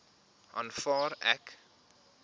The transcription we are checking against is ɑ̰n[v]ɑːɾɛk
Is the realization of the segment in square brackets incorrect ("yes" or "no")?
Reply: yes